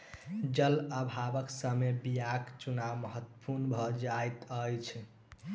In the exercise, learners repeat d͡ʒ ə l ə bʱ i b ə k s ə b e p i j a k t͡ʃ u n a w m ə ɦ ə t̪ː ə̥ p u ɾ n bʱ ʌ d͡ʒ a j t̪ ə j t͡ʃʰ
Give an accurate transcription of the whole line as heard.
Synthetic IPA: d͡ʒ ə l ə bʱ a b ə k s ə m e b i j a k t͡ʃ u n a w m ə ɦ ə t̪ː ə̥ p u ɾ n bʱ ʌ d͡ʒ a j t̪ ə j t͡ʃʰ